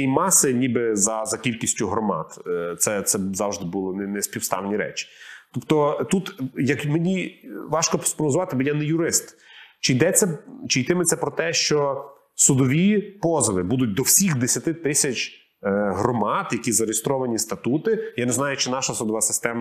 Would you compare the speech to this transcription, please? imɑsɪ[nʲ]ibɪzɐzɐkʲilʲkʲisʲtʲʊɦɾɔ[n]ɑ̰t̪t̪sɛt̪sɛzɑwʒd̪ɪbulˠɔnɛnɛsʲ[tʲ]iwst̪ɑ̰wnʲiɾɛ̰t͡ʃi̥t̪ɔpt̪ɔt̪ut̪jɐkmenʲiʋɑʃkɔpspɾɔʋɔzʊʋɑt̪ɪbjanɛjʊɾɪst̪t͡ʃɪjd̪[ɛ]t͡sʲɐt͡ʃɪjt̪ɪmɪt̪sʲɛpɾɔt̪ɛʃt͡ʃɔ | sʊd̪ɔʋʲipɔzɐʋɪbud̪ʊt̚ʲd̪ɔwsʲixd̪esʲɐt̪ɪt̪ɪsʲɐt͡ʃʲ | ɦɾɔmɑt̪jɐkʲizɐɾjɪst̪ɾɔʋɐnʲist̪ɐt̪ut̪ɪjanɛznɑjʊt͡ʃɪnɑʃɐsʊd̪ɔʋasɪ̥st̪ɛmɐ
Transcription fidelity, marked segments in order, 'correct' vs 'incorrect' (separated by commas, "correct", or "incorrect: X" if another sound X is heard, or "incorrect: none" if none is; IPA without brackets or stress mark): correct, incorrect: m, incorrect: pʲ, correct